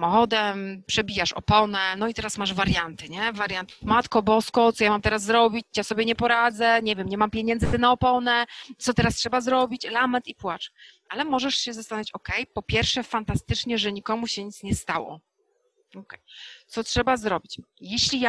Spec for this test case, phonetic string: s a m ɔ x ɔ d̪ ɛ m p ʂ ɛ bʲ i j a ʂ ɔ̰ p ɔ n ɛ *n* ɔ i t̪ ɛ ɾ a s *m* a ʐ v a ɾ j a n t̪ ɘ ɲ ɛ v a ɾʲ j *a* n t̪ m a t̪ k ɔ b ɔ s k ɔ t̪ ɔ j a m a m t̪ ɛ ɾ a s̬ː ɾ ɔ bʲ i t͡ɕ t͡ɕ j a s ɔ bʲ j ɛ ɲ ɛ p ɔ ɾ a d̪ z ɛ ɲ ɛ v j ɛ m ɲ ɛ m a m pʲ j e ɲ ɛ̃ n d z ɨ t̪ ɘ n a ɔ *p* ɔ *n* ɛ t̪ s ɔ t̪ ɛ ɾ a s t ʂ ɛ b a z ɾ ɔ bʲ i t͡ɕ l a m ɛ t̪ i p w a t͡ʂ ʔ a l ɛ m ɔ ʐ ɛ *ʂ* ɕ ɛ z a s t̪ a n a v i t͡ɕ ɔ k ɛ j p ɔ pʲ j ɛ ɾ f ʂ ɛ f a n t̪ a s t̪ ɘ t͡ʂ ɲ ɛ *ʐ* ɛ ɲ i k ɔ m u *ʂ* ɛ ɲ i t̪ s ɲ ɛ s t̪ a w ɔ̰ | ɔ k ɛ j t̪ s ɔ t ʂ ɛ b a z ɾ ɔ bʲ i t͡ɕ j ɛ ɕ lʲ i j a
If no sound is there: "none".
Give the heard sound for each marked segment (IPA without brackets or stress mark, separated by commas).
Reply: n, m, a, p, n, ʂ, ʐ, ɕ